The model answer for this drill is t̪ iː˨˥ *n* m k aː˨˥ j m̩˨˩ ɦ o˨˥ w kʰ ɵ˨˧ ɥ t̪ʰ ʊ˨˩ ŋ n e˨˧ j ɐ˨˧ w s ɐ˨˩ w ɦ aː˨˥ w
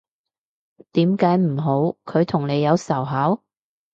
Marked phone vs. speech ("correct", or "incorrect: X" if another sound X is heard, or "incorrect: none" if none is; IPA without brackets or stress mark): incorrect: none